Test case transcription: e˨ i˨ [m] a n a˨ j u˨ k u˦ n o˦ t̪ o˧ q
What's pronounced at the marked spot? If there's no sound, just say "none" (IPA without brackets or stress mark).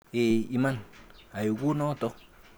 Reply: m